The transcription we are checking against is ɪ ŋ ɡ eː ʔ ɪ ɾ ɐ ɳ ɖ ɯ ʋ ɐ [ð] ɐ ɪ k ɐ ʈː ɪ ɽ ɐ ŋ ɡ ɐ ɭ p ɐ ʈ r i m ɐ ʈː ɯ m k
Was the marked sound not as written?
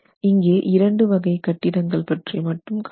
yes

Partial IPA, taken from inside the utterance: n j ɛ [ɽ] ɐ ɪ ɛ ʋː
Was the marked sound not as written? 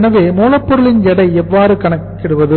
no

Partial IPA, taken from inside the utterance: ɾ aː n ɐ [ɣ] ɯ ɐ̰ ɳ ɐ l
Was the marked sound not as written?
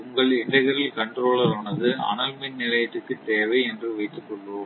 yes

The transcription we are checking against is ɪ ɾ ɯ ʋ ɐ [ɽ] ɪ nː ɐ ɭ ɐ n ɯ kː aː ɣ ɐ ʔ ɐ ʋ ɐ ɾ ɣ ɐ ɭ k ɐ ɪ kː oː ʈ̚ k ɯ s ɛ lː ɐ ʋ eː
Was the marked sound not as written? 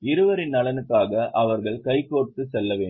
yes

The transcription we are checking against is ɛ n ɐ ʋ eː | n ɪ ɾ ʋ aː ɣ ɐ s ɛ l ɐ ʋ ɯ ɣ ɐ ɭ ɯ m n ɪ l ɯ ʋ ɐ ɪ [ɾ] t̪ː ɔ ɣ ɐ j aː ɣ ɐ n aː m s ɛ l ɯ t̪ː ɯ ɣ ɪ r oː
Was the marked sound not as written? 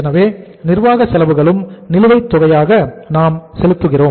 yes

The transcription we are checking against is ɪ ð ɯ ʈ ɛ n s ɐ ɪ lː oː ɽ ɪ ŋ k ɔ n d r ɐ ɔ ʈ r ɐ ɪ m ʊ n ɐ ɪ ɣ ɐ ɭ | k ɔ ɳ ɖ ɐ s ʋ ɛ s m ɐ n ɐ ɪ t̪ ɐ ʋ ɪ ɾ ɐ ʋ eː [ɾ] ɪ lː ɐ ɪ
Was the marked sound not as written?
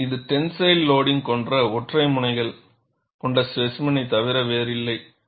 no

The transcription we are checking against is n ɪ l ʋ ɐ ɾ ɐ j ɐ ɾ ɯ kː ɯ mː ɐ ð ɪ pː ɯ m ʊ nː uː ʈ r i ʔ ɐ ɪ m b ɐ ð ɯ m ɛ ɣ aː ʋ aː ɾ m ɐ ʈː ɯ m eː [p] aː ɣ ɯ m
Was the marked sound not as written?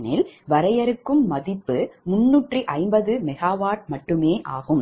yes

